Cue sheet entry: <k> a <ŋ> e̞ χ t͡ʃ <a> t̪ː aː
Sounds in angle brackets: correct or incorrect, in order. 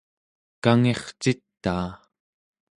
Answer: correct, correct, incorrect

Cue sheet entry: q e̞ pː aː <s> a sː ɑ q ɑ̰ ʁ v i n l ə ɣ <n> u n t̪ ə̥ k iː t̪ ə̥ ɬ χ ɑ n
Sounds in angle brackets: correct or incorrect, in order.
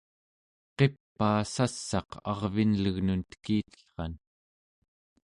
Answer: correct, correct

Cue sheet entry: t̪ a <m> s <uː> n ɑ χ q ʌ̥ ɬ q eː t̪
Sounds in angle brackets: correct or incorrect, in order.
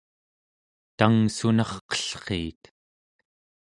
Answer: incorrect, incorrect

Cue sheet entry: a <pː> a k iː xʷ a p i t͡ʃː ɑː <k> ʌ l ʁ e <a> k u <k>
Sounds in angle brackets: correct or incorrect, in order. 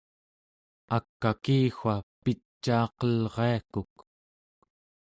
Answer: incorrect, incorrect, correct, correct

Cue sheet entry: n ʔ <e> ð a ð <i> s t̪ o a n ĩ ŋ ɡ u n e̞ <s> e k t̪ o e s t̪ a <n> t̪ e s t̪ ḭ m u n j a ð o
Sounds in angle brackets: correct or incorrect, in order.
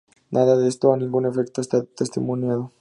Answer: incorrect, incorrect, incorrect, incorrect

